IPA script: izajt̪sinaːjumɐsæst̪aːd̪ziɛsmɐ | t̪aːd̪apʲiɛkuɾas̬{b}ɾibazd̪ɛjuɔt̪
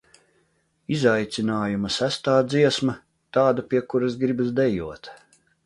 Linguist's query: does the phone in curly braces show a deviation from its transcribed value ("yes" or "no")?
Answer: yes